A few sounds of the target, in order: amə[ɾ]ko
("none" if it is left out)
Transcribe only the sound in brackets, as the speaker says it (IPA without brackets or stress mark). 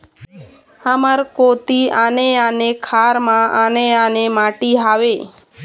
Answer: ɾ